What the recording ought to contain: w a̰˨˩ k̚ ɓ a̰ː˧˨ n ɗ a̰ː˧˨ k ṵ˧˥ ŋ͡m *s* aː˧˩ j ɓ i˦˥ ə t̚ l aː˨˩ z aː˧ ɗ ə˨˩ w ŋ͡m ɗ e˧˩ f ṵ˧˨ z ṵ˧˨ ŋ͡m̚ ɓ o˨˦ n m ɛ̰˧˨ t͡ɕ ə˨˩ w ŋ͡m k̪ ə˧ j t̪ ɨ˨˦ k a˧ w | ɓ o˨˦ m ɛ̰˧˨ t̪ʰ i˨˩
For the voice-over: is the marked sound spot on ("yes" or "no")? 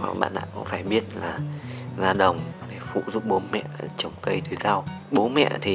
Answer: no